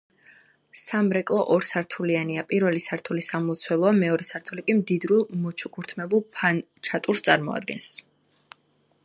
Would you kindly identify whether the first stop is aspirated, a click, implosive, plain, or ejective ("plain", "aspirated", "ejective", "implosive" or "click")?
ejective